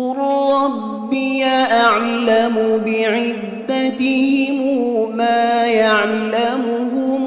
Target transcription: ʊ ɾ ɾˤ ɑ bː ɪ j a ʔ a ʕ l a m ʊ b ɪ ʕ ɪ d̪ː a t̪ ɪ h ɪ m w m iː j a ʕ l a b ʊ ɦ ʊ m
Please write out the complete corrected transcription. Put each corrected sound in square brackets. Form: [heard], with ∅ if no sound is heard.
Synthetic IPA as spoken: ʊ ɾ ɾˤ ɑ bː ɪ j a ʔ a ʕ l a m ʊ b ɪ ʕ ɪ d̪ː a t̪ ɪ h ɪ m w m [aː] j a ʕ l a [m] ʊ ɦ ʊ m